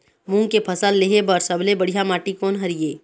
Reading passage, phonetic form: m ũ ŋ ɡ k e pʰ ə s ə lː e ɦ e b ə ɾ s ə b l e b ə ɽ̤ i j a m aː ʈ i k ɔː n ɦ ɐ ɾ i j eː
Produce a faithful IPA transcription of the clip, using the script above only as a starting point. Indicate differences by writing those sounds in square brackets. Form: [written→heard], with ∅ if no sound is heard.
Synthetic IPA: m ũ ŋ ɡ k e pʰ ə s ə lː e ɦ e b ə ɾ s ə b l e b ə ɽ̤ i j a m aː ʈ i k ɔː n ɦ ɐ ɾ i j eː